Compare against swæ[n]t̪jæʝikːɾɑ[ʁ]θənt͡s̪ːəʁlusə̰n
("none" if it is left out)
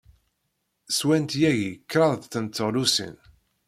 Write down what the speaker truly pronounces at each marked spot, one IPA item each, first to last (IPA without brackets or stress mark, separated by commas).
n, ð